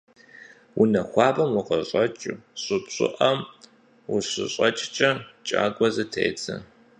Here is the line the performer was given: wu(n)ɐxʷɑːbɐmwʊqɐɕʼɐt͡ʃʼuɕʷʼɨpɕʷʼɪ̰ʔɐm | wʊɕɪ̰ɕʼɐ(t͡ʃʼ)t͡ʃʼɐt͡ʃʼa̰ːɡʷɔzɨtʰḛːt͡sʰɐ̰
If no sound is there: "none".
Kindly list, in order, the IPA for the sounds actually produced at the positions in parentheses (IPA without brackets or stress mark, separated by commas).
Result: n, t͡ʃʼ